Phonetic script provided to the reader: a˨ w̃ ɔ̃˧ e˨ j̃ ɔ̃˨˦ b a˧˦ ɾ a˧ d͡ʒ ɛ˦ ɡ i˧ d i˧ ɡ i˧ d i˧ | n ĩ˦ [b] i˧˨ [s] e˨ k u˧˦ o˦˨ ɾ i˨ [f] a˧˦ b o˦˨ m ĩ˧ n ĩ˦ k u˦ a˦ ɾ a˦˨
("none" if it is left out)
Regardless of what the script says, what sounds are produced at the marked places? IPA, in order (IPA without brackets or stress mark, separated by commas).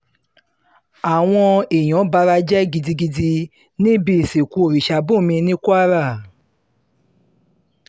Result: b, s, ʃ